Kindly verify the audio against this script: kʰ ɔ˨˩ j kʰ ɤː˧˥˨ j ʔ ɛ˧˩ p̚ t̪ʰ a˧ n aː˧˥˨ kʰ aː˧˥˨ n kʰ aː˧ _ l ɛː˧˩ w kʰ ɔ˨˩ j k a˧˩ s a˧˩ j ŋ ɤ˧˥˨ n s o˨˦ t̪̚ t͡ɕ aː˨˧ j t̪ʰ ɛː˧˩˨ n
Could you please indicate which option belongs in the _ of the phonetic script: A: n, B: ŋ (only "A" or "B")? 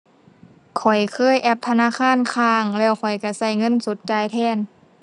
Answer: B